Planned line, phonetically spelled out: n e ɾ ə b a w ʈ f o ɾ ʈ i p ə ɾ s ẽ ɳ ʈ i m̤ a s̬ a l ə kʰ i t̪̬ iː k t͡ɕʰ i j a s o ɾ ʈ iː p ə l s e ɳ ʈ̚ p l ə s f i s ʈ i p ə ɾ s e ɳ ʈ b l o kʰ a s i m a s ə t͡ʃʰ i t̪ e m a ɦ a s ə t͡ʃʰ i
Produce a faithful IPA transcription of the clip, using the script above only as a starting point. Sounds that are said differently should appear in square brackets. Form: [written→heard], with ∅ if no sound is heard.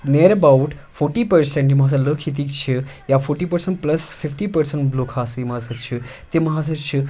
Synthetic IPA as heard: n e ɾ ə b a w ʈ f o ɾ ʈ i p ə ɾ s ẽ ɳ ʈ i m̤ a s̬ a l ə kʰ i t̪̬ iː k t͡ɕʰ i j a [s→f] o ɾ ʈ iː p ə [l→ɾ] s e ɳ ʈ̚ p l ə s f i [s→f] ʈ i p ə ɾ s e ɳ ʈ b l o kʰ a s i m a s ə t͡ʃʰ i t̪ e m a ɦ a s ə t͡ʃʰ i